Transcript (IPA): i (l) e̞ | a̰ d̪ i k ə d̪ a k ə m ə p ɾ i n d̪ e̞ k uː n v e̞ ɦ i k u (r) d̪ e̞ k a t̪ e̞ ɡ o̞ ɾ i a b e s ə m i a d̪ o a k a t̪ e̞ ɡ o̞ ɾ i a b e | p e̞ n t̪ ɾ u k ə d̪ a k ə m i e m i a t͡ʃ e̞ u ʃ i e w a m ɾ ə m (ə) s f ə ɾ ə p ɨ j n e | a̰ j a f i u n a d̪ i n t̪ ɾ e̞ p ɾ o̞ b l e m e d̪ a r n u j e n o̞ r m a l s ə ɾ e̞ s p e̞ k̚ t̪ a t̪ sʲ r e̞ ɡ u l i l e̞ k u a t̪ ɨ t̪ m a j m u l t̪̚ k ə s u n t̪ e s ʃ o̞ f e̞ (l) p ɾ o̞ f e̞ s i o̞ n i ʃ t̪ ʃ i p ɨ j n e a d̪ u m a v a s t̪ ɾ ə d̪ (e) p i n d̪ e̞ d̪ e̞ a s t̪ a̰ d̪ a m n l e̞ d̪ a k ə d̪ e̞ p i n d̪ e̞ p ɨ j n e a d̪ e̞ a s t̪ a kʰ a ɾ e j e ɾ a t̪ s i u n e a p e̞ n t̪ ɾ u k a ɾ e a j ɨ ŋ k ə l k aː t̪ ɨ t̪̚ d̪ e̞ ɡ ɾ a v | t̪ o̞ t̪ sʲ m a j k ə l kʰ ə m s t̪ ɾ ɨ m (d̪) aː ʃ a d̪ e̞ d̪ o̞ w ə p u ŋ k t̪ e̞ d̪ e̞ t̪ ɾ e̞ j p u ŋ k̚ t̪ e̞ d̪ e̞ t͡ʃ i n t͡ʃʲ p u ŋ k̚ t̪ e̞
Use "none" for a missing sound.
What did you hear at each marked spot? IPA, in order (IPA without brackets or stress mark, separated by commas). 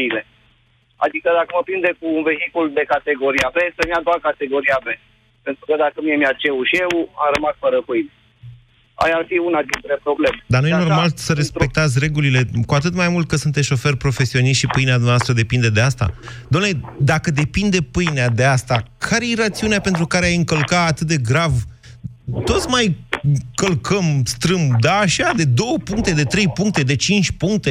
l, l, a, r, e, d̪